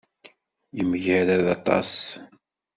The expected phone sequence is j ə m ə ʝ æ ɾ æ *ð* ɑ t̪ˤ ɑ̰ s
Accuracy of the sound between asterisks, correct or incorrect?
correct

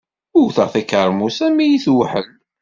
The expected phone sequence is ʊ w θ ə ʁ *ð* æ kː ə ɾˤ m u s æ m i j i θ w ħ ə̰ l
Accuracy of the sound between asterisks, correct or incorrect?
incorrect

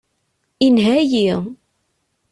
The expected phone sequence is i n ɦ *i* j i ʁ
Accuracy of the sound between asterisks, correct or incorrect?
incorrect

